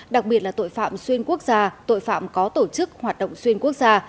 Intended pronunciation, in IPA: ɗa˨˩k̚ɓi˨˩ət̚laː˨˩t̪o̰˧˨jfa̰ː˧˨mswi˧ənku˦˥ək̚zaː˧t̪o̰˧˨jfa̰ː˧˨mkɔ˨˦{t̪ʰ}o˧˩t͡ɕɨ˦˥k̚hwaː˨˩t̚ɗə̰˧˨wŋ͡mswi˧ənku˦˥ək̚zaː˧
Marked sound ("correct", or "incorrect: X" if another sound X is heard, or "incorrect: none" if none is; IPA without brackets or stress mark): incorrect: t̪